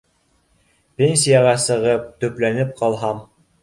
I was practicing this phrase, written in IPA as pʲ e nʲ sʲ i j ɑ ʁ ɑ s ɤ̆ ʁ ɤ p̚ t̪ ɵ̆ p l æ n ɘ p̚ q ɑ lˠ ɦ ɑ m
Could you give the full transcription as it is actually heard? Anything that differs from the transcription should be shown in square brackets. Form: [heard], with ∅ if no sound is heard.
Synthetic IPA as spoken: pʲ e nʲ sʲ i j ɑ ʁ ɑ s ɤ̆ ʁ ɤ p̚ t̪ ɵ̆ p l æ n ɘ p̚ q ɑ lˠ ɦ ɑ m